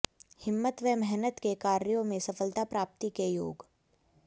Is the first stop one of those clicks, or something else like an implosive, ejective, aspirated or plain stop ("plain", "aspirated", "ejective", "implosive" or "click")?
plain